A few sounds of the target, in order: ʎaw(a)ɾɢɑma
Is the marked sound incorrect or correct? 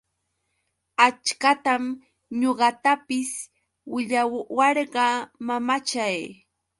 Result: incorrect